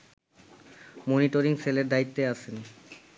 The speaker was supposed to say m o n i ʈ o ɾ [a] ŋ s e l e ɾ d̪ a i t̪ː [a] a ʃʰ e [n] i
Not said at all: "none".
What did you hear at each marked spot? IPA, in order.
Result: i, e, n

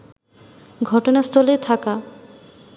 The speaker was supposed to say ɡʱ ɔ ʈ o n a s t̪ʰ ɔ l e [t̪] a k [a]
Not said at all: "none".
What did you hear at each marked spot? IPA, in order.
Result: t̪ʰ, a

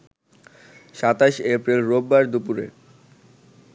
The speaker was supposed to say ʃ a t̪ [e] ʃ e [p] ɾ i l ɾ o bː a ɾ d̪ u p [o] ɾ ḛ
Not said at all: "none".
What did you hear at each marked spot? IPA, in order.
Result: a, p, u

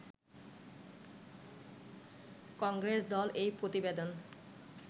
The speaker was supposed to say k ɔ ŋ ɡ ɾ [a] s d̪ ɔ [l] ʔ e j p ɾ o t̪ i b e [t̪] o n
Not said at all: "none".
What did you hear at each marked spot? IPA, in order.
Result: e, l, d̪

